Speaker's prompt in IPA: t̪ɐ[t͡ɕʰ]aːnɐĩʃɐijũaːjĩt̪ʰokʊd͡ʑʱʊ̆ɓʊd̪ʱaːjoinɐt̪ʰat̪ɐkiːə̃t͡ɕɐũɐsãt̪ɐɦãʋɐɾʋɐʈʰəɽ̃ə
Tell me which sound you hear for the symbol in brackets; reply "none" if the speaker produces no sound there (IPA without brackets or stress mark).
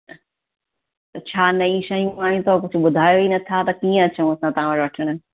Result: t͡ɕʰ